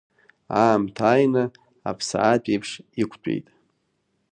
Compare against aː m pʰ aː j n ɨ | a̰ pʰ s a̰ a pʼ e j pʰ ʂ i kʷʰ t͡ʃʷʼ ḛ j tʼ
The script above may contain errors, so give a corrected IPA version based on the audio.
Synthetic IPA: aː m tʰ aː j n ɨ | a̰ pʰ s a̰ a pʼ e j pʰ ʂ i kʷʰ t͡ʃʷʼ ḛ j tʼ